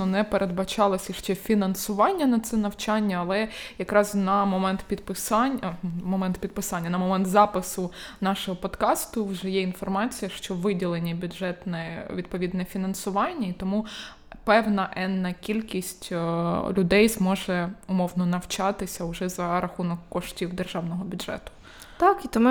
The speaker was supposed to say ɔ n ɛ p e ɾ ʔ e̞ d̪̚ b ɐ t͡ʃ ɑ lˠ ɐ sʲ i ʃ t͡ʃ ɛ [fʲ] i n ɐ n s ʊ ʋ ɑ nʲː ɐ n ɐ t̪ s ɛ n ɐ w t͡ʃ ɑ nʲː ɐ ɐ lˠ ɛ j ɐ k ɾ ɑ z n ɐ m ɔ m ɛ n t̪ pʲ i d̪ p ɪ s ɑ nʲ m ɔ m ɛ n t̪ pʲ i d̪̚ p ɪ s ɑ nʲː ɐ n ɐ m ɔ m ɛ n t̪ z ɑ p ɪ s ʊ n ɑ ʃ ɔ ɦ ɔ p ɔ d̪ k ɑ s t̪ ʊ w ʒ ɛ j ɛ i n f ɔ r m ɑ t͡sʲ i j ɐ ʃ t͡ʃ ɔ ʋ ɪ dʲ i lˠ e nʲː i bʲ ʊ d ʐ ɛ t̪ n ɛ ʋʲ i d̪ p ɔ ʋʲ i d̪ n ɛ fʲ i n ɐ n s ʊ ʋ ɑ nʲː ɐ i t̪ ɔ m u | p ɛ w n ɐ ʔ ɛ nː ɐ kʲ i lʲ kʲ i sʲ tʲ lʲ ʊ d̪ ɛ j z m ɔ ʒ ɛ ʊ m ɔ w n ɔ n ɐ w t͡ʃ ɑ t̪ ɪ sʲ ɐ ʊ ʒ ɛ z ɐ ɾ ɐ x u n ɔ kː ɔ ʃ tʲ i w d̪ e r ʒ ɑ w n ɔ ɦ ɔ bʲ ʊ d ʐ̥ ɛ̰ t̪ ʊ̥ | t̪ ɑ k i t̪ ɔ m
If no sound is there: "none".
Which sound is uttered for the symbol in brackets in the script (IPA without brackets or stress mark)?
fʲ